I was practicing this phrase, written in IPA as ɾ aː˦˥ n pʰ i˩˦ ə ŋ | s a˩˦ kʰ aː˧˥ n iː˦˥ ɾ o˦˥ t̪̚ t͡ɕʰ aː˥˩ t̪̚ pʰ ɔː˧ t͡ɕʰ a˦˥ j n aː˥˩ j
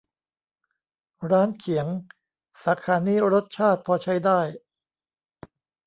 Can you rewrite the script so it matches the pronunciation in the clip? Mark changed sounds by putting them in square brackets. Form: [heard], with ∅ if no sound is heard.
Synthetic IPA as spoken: ɾ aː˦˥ n [kʰ] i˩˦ ə ŋ | s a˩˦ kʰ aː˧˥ n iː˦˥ ɾ o˦˥ t̪̚ t͡ɕʰ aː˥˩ t̪̚ pʰ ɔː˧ t͡ɕʰ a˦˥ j [d] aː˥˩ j

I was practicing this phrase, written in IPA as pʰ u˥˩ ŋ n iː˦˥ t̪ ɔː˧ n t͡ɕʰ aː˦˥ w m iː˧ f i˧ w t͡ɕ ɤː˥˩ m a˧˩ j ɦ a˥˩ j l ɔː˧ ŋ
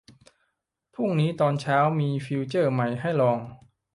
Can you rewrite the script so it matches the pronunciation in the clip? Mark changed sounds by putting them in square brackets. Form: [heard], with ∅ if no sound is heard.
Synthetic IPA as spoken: pʰ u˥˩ ŋ n iː˦˥ t̪ ɔː˧ n t͡ɕʰ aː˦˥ w m iː˧ f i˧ w t͡ɕ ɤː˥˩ m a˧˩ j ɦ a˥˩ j l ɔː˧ ŋ

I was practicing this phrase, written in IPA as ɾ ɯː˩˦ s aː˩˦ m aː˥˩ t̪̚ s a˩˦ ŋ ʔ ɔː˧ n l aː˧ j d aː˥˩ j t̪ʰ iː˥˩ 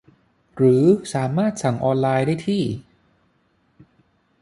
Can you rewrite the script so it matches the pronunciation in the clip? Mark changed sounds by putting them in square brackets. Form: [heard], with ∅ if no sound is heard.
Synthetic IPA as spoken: ɾ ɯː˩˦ s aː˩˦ m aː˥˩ t̪̚ s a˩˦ ŋ ʔ ɔː˧ n l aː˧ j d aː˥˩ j t̪ʰ iː˥˩

